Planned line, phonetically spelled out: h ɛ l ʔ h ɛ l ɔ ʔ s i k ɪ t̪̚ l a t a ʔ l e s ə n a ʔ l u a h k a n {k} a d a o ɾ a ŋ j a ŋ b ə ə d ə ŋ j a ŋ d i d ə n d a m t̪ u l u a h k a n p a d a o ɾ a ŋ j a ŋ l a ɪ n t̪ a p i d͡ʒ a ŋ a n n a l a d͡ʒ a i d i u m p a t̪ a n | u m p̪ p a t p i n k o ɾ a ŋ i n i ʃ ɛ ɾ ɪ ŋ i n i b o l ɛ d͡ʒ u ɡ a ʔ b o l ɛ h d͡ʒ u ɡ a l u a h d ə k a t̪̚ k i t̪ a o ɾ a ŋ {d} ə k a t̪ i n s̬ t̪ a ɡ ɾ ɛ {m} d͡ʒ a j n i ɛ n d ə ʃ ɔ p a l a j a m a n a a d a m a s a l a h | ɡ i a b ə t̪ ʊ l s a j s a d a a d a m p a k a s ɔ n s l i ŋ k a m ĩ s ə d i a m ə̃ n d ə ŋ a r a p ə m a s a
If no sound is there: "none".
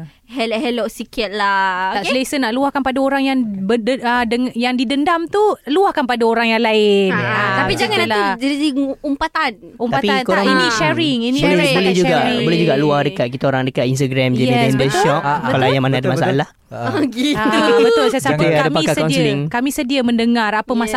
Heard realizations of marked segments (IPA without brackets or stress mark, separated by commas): p, d, m